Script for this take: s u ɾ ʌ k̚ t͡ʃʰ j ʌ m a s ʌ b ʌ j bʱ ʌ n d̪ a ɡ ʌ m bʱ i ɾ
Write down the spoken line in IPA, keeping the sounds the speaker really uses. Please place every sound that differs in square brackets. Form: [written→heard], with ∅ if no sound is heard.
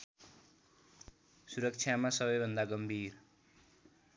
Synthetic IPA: s u ɾ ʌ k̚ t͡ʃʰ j [ʌ→a] m a s ʌ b ʌ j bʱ ʌ n d̪ a ɡ ʌ m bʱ i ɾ